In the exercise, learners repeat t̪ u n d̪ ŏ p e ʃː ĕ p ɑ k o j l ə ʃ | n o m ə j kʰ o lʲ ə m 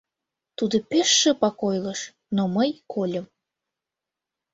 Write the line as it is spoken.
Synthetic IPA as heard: t̪ u d̪ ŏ p e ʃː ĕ p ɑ k o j l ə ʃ | n o m ə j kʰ o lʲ ə m